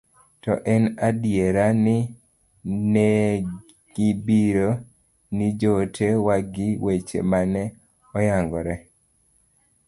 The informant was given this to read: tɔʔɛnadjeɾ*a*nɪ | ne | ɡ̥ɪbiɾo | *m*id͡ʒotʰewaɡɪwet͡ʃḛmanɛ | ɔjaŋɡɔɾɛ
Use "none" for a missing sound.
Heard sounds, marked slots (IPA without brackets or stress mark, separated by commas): a, n